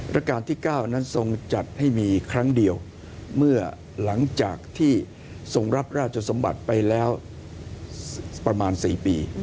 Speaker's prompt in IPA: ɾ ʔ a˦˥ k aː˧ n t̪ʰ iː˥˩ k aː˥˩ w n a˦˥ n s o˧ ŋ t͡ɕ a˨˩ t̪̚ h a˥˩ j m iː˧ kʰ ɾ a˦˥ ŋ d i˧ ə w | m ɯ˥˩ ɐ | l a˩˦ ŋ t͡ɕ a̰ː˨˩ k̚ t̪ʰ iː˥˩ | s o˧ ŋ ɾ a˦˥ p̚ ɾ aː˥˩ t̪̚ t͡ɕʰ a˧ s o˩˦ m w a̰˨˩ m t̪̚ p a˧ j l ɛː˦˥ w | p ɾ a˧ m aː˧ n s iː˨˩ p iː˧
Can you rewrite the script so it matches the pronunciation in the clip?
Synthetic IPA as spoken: ɾ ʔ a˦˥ k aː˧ n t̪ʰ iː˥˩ k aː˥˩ w n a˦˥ n s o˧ ŋ t͡ɕ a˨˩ t̪̚ h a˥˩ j m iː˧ kʰ ɾ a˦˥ ŋ d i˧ ə w | m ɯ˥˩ ɐ | l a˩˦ ŋ t͡ɕ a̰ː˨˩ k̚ t̪ʰ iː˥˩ | s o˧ ŋ ɾ a˦˥ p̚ ɾ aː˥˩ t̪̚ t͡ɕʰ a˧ s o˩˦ m b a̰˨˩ t̪̚ p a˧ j l ɛː˦˥ w | p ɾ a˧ m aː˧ n s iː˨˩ p iː˧